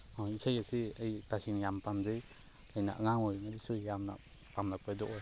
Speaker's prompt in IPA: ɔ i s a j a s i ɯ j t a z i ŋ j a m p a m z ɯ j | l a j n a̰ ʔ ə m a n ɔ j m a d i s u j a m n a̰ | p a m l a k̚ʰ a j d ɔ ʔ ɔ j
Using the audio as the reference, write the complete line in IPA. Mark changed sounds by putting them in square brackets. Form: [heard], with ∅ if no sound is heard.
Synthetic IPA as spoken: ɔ i s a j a s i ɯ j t a [s] i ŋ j a m p a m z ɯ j | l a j n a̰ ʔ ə [ŋ] a [ŋ] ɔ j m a d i s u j a m n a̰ | p a m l a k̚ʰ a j d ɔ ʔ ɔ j